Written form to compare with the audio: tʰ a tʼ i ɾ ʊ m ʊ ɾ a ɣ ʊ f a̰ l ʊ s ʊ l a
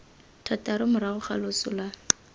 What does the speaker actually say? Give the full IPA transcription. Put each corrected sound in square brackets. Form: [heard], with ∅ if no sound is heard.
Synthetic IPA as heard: tʰ a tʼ [a] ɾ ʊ m ʊ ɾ a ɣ ʊ [χ] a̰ l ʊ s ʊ l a